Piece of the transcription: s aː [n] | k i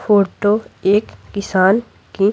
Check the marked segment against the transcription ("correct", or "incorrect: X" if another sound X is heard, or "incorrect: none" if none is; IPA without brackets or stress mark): correct